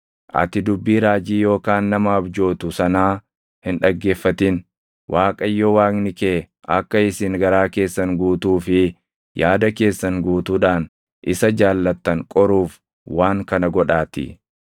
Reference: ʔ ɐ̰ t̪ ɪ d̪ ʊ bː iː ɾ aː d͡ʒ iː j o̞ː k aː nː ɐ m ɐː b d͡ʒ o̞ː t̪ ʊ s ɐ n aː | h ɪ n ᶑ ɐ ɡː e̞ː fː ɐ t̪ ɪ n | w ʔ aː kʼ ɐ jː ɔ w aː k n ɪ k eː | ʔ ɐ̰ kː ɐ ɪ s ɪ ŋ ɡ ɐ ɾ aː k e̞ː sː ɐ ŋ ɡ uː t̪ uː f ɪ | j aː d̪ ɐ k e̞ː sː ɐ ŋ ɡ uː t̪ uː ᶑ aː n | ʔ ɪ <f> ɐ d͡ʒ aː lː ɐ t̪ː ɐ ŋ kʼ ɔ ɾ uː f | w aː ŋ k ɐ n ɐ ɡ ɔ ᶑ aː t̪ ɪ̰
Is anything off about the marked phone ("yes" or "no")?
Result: yes